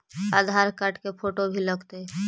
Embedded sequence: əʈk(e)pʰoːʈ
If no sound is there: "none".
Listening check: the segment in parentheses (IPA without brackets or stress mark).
e